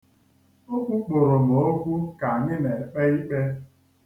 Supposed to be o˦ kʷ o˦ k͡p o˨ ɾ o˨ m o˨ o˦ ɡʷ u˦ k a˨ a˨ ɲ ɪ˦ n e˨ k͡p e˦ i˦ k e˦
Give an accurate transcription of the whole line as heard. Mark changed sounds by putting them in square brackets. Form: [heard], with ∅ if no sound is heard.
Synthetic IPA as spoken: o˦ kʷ [u˦] k͡p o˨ ɾ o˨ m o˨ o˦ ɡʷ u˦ k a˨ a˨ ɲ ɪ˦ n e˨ k͡p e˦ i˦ [k͡p] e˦